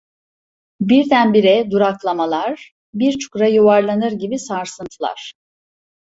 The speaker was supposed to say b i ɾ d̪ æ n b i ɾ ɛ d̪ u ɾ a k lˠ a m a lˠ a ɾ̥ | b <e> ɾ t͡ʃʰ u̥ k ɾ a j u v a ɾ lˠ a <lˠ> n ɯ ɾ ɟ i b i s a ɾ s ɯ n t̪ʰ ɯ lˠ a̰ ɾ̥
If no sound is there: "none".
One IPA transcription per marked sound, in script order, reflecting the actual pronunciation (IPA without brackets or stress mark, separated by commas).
i, none